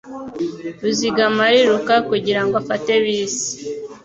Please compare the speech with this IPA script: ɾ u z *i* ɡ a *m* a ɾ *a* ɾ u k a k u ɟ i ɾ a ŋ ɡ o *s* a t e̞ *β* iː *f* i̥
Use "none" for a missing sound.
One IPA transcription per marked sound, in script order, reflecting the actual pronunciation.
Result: i, m, i, f, β, s

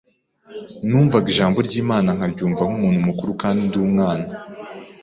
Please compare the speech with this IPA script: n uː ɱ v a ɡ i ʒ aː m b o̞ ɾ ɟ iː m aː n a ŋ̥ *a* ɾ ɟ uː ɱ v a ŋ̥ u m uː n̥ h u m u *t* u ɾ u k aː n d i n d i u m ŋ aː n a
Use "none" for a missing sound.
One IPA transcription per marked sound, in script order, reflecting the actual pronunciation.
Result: a, k

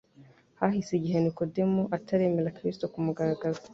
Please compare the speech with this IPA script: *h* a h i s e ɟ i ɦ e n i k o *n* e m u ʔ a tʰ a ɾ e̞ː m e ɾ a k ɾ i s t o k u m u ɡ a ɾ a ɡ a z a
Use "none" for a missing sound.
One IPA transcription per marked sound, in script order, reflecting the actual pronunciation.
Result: h, d

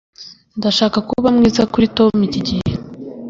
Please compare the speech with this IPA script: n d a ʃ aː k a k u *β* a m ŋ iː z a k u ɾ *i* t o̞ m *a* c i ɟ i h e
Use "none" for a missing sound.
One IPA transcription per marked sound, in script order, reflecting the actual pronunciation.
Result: β, i, i

